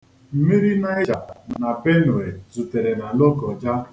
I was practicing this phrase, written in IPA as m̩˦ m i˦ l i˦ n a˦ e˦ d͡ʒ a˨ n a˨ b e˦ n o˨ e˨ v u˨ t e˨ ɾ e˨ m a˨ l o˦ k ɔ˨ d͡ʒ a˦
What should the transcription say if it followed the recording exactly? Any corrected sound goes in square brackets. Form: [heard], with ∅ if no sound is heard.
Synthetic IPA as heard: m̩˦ m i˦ [ɾ] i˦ n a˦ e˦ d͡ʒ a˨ n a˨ b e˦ n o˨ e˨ [z] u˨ t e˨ ɾ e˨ [n] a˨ l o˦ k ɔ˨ d͡ʒ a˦